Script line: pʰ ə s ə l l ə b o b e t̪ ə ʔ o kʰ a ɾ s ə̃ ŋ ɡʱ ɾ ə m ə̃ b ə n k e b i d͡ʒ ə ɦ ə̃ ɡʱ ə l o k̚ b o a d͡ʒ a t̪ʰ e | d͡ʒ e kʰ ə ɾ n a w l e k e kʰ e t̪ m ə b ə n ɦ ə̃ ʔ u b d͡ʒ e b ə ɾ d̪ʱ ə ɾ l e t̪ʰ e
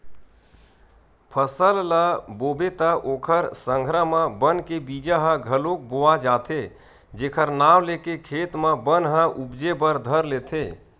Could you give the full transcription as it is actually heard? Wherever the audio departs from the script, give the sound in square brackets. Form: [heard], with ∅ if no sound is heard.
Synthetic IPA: pʰ ə s ə l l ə b o b e t̪ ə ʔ o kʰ [ə] ɾ s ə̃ ŋ ɡʱ ɾ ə m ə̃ b ə n k e b i d͡ʒ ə ɦ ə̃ ɡʱ ə l o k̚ b o a d͡ʒ a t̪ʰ e | d͡ʒ e kʰ ə ɾ n a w l e k e kʰ e t̪ m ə b ə n ɦ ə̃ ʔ u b d͡ʒ e b ə ɾ d̪ʱ ə ɾ l e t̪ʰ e